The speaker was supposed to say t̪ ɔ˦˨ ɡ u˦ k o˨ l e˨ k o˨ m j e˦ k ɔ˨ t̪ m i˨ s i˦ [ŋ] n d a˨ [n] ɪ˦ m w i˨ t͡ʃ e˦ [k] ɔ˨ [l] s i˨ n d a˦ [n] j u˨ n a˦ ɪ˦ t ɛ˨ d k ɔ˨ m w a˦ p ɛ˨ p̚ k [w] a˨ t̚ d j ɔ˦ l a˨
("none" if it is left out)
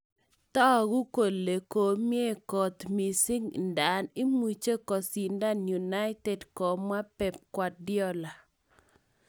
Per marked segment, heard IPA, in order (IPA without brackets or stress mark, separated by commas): ŋ, n, k, none, n, w